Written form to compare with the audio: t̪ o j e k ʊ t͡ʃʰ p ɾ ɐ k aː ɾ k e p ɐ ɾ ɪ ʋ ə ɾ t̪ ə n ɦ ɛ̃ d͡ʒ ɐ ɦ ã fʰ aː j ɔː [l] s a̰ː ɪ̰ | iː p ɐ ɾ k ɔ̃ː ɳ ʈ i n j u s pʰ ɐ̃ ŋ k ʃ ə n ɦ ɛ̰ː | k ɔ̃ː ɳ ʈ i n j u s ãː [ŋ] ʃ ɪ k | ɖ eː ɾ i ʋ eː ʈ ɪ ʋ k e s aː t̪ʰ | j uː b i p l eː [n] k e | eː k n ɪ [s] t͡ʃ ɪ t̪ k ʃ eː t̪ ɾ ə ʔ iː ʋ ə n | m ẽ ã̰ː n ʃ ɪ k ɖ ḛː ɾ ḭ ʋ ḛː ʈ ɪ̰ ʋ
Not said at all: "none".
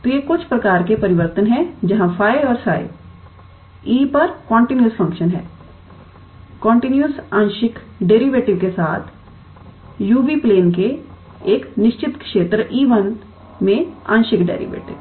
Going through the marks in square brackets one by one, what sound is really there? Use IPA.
ɾ, n, n, ʃ

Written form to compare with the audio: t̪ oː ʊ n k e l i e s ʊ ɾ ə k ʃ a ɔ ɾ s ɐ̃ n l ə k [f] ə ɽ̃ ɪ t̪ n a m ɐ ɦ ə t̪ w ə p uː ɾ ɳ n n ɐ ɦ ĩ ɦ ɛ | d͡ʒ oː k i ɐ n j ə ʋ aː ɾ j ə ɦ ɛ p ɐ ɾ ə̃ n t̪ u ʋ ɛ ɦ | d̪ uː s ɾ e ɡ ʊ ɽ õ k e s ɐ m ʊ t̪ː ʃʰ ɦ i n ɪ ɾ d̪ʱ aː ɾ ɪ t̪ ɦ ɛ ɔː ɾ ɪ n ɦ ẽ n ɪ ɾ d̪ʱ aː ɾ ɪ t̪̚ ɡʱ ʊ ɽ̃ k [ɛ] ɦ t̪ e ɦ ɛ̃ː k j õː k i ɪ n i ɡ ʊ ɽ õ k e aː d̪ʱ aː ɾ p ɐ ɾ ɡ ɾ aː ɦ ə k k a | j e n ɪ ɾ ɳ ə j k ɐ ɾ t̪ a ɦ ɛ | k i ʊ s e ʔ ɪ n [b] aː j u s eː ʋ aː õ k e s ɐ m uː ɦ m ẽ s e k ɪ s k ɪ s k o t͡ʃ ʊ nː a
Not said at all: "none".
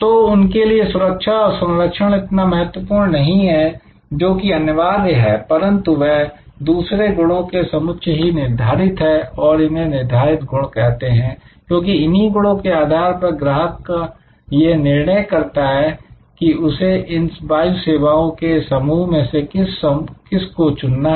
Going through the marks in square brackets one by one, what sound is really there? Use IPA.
ʃ, ɛ, b

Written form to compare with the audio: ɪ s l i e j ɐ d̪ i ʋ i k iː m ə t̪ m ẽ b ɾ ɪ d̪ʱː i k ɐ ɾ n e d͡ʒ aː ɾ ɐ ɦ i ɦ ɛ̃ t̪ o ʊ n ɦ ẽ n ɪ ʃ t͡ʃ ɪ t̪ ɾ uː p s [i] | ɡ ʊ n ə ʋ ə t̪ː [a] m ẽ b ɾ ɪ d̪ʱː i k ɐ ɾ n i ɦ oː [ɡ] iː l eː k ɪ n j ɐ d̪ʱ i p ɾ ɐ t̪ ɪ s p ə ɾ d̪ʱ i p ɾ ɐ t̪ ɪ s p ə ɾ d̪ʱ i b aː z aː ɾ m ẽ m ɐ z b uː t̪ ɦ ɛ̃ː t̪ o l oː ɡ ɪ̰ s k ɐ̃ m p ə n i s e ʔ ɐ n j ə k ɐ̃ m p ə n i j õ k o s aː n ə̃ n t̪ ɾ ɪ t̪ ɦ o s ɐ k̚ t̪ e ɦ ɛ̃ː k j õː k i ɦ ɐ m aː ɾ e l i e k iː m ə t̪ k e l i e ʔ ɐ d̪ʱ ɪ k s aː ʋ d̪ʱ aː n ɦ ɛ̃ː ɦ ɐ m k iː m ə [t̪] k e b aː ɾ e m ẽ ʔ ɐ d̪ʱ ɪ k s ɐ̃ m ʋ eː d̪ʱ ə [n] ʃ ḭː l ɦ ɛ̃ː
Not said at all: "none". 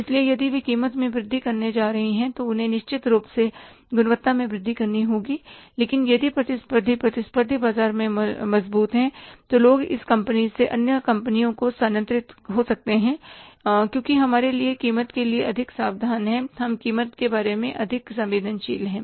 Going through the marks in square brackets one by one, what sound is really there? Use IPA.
e, a, ɡ, t̪, n

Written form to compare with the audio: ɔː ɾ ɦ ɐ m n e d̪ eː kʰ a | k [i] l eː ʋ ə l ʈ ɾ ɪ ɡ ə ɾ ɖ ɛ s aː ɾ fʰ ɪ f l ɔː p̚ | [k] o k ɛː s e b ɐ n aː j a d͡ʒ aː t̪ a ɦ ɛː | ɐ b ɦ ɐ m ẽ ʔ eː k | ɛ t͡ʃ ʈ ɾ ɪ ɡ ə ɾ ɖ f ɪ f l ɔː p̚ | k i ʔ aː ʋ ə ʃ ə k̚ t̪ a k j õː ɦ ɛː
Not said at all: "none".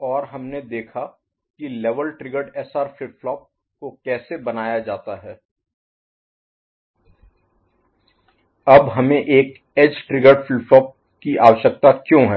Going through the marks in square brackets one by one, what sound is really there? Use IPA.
i, k

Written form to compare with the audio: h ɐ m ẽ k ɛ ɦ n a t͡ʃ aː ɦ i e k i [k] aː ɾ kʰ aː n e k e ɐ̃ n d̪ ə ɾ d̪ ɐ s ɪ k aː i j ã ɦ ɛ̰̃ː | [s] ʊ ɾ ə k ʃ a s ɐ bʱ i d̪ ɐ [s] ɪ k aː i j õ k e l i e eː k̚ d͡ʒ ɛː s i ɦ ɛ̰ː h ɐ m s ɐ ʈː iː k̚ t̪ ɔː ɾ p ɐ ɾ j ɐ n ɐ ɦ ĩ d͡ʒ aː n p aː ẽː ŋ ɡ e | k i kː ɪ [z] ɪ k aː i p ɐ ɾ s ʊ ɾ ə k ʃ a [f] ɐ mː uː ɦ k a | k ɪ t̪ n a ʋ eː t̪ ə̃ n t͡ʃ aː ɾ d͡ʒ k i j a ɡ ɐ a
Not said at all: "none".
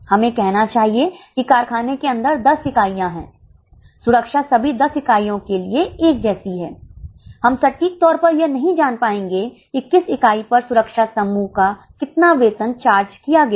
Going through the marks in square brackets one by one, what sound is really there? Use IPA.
k, s, s, s, s

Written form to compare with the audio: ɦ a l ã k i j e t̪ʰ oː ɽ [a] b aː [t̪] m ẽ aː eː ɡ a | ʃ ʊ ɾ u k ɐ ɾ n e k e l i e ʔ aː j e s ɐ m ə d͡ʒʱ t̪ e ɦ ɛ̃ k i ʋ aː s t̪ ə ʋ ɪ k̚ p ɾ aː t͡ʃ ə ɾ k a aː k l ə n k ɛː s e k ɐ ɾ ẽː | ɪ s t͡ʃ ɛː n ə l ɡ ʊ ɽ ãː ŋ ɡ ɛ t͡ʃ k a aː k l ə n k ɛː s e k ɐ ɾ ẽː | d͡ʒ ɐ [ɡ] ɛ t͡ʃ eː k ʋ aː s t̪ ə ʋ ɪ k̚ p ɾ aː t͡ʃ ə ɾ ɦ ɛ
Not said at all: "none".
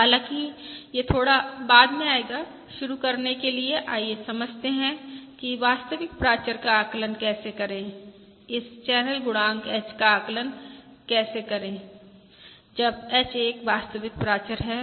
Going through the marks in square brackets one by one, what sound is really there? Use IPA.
a, d̪, b

